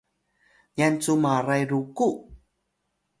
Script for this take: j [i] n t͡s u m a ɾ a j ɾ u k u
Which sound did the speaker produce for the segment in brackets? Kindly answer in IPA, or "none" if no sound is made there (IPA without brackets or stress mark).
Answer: a